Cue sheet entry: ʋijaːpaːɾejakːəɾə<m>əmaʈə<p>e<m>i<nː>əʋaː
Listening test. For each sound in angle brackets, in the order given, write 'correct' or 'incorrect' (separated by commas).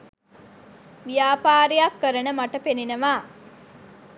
incorrect, correct, incorrect, incorrect